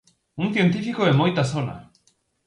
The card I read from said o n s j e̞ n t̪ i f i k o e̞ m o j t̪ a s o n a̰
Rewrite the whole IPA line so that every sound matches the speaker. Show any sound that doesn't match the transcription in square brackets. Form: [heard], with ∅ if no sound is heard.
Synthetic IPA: [u] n [θ] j e̞ n t̪ i f i k o e̞ m o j t̪ a s o n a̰